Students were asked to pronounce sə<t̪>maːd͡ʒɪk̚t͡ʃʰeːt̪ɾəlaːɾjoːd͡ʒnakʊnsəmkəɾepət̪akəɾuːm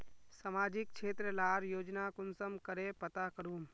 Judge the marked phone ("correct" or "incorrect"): incorrect